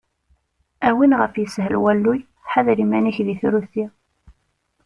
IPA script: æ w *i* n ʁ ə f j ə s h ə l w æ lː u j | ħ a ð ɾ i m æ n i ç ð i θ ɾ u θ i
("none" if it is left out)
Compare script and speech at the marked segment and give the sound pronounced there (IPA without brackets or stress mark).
i